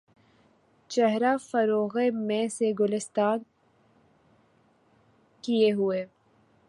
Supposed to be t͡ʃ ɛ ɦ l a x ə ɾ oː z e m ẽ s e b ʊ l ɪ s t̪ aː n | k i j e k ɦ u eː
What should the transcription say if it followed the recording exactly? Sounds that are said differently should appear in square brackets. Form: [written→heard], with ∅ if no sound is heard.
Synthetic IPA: t͡ʃ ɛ ɦ [l→ɾ] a [x→f] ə ɾ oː [z→ɣ] e m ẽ s e [b→ɡ] ʊ l ɪ s t̪ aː n | k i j e [k→∅] ɦ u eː